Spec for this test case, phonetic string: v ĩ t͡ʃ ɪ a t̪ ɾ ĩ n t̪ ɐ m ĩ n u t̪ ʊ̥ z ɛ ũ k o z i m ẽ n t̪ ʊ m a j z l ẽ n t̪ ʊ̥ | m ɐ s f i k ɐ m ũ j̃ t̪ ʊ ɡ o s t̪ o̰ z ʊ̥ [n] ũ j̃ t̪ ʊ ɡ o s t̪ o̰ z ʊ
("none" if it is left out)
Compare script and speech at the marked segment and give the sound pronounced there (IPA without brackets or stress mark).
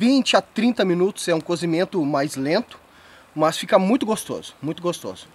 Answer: m